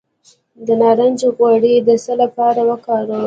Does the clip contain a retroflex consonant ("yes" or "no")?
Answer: yes